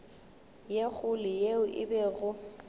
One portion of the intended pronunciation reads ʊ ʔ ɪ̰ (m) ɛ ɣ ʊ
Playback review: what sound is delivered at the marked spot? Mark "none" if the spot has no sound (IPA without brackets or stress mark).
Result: b